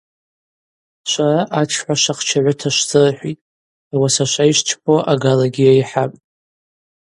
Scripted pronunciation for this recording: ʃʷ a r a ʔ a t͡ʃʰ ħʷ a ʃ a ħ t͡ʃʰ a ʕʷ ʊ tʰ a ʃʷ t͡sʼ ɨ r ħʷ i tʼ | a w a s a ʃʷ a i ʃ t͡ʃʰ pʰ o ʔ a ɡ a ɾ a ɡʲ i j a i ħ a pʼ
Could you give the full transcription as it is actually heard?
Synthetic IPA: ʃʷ a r a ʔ a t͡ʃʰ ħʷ a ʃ a χ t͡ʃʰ a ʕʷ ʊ tʰ a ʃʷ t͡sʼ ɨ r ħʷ i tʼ | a w a s a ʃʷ a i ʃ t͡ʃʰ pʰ o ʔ a ɡ a l a ɡʲ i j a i ħ a pʼ

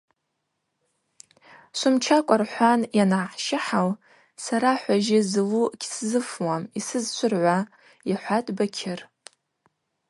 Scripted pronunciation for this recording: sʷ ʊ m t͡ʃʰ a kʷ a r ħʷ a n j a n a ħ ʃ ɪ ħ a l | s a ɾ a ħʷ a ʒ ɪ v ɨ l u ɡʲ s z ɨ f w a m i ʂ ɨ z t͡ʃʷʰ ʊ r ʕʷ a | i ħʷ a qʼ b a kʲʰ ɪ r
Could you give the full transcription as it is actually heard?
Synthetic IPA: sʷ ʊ m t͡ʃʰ a kʷʼ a r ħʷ a n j a n a ħ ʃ ɪ ħ a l | s a ɾ a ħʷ a ʒ ɪ z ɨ l u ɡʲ s z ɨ f w a m i s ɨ z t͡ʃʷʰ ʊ r ʕʷ a | i ħʷ a tʼ b a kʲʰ ɪ r

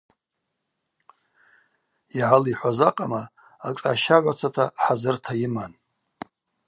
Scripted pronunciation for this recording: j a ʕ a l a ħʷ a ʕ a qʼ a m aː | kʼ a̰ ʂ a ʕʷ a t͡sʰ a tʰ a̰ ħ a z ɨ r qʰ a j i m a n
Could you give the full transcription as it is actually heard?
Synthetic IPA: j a ʕ a l i ħʷ a z a qʼ a m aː | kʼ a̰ ʃ a ʕʷ a t͡sʰ a tʰ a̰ ħ a z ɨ r tʰ a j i m a n

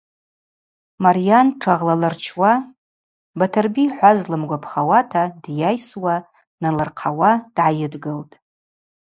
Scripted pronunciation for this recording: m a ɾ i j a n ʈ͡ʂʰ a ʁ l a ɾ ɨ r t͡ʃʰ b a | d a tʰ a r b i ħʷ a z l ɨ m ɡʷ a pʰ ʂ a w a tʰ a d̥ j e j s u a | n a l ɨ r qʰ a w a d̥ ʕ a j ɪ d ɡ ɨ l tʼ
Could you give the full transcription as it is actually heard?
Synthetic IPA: m a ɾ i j a n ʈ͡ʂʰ a ʁ l a l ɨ r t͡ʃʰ w a | b a tʰ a r b i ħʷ a z l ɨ m ɡʷ a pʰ χ a w a tʰ a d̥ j a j s w a | n a l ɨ r qʰ a w a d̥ ʕ a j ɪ d ɡ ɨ l tʼ

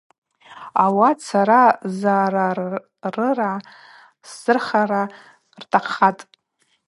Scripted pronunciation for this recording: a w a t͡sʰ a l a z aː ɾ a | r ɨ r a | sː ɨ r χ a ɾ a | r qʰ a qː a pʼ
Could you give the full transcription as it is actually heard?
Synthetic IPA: a w a t͡sʰ a ɾ a z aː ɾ a | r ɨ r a | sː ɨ r χ a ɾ a | r tʰ a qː a tʼ

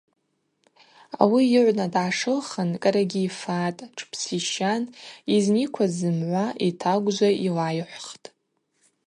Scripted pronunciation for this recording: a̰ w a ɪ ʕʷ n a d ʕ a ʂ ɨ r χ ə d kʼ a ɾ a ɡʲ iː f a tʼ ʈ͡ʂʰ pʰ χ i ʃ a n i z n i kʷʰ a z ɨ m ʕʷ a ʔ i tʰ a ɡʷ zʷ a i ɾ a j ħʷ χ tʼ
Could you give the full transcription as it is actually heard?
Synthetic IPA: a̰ w i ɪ ʕʷ n a d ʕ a ʂ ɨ l χ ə n kʼ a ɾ a ɡʲ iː f a tʼ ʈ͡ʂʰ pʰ s i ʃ a n i z n i kʷʰ a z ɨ m ʕʷ a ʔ i tʰ a ɡʷ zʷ a i l a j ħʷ χ tʼ

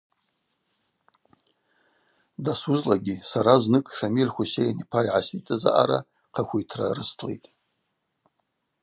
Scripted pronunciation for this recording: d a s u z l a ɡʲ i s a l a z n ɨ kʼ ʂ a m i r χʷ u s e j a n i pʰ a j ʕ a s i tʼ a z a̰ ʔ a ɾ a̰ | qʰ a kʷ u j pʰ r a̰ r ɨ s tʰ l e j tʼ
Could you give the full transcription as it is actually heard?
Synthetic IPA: d a s u z l a ɡʲ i s a ɾ a z n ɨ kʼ ʂ a m i r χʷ u s e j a n i pʰ a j ʕ a s i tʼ a z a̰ ʔ a ɾ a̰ | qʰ a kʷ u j tʰ r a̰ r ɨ s tʰ l e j tʼ

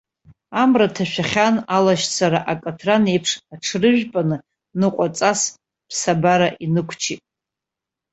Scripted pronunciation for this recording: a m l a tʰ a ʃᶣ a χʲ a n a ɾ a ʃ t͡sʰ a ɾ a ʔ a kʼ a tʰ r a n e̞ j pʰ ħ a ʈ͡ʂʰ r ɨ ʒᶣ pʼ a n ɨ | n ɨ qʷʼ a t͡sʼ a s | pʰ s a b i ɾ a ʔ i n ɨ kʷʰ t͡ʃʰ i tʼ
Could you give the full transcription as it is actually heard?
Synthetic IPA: a m r a tʰ a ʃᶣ a χʲ a n a l a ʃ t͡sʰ a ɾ a ʔ a kʼ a tʰ r a n e̞ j pʰ ʂ a ʈ͡ʂʰ r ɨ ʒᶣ pʼ a n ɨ | n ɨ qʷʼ a t͡sʼ a s | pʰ s a b a ɾ a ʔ i n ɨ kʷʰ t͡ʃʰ i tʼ

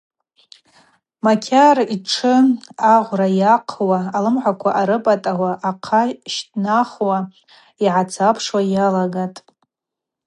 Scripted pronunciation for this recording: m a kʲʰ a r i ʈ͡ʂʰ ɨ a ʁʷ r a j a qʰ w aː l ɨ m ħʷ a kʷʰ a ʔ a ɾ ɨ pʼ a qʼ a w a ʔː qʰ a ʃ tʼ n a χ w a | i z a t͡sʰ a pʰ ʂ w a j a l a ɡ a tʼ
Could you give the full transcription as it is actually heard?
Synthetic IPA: m a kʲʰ a r i ʈ͡ʂʰ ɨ a ʁʷ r a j a qʰ w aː l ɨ m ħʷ a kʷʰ a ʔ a ɾ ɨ pʼ a tʼ a w a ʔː qʰ a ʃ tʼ n a χ w a | i ʕ a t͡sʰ a pʰ ʂ w a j a l a ɡ a tʼ

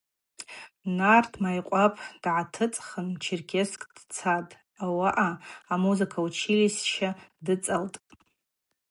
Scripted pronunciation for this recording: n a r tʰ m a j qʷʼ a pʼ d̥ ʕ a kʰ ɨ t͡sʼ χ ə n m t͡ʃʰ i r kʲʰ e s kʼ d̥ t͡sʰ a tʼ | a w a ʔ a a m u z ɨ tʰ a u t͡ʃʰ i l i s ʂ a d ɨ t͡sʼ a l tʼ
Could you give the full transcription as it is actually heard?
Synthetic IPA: n a r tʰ m a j qʷʼ a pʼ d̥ ʕ a tʰ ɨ t͡sʼ χ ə n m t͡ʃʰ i r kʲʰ e s kʼ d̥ t͡sʰ a tʼ | a w a ʔ a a m u z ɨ kʰ a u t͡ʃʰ i l i s ʃ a d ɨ t͡sʼ a l tʼ

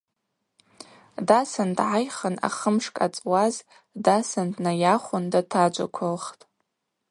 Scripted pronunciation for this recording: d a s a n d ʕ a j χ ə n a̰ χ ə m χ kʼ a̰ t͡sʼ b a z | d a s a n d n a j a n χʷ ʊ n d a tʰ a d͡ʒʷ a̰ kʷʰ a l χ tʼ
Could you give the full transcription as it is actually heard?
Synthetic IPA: d a s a n d ʕ a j χ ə n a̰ χ ə m ʂ kʼ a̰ t͡sʼ w a z | d a s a n d n a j a χʷ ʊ n d a tʰ a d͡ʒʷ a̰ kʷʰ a l χ tʼ

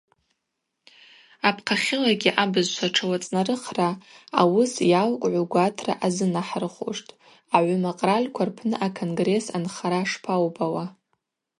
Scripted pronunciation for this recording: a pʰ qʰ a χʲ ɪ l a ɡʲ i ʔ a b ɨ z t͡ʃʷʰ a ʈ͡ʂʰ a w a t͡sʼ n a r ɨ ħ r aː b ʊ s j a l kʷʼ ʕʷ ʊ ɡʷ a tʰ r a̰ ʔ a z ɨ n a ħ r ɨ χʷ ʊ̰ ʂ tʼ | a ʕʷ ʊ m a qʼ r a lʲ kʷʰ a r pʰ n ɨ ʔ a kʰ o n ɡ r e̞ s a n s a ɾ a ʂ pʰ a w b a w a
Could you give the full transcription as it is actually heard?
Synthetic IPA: a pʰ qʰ a χʲ ɪ l a ɡʲ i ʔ a b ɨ z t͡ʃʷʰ a ʈ͡ʂʰ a w a t͡sʼ n a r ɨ χ r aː w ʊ s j a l kʷʼ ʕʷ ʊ ɡʷ a tʰ r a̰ ʔ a z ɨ n a ħ r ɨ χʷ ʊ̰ ʂ tʼ | a ʕʷ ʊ m a qʼ r a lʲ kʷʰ a r pʰ n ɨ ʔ a kʰ o n ɡ r e̞ s a n χ a ɾ a ʂ pʰ a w b a w a

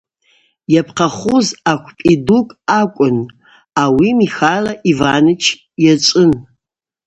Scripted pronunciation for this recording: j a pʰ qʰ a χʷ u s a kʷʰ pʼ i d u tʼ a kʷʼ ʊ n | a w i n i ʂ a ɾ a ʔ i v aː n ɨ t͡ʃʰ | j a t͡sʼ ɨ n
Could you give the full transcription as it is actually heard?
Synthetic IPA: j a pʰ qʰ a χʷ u z a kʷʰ pʼ i d u kʼ a kʷʼ ʊ n | a w i m i x a l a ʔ i v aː n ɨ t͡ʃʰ | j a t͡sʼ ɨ n

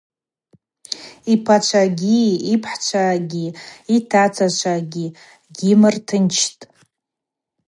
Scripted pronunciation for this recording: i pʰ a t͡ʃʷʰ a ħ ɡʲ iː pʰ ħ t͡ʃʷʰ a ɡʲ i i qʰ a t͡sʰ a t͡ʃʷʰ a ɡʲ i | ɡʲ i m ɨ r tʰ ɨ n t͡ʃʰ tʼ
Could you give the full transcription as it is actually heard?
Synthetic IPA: i pʰ a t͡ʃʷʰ a ɡʲ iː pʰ ħ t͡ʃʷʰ a ɡʲ i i tʰ a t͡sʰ a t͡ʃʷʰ a ɡʲ i | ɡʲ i m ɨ r tʰ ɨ n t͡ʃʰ tʼ

